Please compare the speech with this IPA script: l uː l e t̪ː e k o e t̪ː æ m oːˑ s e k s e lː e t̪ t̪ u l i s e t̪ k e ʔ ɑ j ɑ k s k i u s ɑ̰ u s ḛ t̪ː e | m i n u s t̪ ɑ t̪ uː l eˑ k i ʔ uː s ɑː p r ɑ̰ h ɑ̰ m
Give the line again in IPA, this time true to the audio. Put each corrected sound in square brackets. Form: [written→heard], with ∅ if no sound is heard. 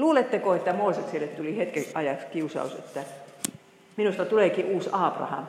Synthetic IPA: l uː l e t̪ː e k o e t̪ː æ m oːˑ s e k s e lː e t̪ t̪ u l i [s→h] e t̪ k e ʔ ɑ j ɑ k s k i u s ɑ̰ u s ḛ t̪ː [e→æ] | m i n u s t̪ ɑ t̪ [uː→u] l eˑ k i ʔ uː s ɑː p r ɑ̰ h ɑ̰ m